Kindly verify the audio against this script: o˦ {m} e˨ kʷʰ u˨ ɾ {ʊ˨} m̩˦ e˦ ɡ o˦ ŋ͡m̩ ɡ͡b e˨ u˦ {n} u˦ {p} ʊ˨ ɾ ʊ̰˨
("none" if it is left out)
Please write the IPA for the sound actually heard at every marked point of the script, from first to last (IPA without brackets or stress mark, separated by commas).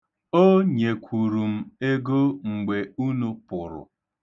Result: ɲ, u˨, n, p